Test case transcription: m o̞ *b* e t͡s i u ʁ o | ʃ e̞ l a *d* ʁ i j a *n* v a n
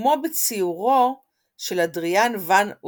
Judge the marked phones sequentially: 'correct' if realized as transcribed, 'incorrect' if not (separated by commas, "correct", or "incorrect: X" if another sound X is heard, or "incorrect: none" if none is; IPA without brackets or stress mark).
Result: correct, correct, correct